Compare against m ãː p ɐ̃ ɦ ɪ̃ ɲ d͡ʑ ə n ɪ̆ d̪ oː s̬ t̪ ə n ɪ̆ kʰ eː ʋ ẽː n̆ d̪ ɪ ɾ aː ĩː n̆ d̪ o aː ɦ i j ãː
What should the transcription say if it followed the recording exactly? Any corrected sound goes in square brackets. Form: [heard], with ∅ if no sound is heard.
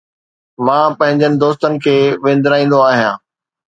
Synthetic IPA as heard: m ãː p ɐ̃ ɦ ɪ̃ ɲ d͡ʑ ə n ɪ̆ d̪ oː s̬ t̪ ə n ɪ̆ kʰ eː ʋ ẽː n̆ d̪ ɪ ɾ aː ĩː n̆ d̪ o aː ɦ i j ãː

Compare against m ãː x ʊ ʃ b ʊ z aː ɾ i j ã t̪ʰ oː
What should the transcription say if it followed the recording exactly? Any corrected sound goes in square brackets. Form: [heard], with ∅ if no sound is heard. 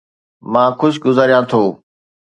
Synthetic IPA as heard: m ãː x ʊ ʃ [ɡ] ʊ z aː ɾ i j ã t̪ʰ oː

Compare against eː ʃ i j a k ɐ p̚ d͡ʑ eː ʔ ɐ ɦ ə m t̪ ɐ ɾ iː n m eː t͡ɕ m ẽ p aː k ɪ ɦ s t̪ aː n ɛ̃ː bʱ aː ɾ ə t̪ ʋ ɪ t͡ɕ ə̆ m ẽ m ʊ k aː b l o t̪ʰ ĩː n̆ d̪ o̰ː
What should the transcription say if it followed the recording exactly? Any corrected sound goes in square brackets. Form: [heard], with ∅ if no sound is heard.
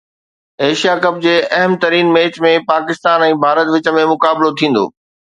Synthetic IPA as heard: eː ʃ i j a k ɐ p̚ d͡ʑ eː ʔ ɐ ɦ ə m t̪ ɐ ɾ iː n m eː t͡ɕ m ẽ p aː k ɪ [∅] s t̪ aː n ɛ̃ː bʱ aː ɾ ə t̪ ʋ ɪ t͡ɕ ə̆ m ẽ m ʊ k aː b l o t̪ʰ ĩː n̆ d̪ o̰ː

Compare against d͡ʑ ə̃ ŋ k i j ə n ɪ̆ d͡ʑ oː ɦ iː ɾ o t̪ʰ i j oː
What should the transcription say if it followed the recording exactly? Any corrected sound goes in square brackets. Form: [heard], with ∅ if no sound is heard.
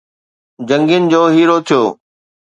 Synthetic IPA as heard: d͡ʑ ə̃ ŋ [ɡ] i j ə n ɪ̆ d͡ʑ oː ɦ iː ɾ o t̪ʰ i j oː

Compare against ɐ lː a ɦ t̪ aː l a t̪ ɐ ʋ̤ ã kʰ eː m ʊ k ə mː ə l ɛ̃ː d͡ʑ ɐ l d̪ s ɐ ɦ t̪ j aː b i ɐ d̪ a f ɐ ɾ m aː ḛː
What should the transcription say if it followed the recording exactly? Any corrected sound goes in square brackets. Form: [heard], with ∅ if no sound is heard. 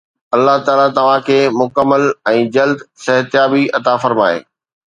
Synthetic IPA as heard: ɐ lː a ɦ t̪ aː l a t̪ ɐ ʋ̤ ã kʰ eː m ʊ k ə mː ə l ɛ̃ː d͡ʑ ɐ l d̪ s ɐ ɦ t̪ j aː b i ɐ [t̪] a f ɐ ɾ m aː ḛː

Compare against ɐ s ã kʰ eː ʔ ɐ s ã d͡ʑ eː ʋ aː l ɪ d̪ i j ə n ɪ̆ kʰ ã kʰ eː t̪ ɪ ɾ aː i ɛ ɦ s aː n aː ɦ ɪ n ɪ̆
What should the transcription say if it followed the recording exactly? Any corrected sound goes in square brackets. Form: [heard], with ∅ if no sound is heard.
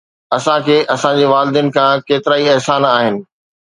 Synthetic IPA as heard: ɐ s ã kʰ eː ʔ ɐ s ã d͡ʑ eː ʋ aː l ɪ d̪ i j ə n ɪ̆ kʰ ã [k] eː t̪ ɪ ɾ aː i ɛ ɦ s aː n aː ɦ ɪ n ɪ̆

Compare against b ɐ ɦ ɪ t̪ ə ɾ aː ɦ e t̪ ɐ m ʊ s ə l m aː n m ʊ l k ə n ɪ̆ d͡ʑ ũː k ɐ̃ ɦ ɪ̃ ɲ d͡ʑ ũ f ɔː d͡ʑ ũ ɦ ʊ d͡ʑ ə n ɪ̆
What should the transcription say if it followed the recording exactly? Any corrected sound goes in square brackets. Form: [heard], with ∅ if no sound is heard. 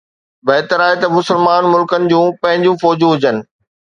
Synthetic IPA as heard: b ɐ ɦ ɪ t̪ ə ɾ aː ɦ e t̪ ɐ m ʊ s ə l m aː n m ʊ l k ə n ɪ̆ d͡ʑ ũː [p] ɐ̃ ɦ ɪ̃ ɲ d͡ʑ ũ f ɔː d͡ʑ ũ ɦ ʊ d͡ʑ ə n ɪ̆

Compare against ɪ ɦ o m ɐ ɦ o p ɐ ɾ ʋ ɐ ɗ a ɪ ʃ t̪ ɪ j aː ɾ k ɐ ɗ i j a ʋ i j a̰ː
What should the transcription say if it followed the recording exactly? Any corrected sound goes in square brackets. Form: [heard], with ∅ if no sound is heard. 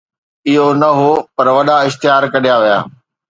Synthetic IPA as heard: ɪ ɦ o [n] ɐ ɦ o p ɐ ɾ ʋ ɐ ɗ a ɪ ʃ t̪ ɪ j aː ɾ k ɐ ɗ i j a ʋ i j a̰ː

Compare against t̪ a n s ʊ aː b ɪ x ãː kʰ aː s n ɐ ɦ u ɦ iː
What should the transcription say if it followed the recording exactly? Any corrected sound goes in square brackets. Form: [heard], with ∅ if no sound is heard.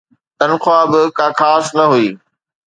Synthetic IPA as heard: t̪ [ɐ] n [x] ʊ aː b ɪ [k] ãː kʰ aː s n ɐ ɦ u [∅] iː

